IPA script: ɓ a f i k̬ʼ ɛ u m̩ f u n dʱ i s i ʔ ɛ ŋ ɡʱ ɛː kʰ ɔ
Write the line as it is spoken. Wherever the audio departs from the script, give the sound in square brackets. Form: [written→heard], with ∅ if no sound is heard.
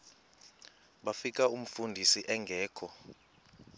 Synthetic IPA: ɓ a f i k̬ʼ [ɛ→a] u m̩ f u n dʱ i s i ʔ ɛ ŋ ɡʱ ɛː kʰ ɔ